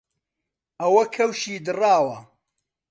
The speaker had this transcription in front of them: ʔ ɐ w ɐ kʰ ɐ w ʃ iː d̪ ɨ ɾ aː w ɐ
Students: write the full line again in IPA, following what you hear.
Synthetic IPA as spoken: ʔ ɐ w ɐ kʰ ɐ w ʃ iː d̪ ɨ r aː w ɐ